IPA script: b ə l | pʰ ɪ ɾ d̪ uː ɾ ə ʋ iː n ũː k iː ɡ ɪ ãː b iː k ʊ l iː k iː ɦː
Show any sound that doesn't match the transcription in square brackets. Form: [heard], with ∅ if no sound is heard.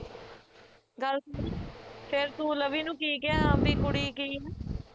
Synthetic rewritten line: [ɡ] ə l | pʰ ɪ ɾ [t̪] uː [l] ə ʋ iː n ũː k iː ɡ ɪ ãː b iː k ʊ [ɽ] iː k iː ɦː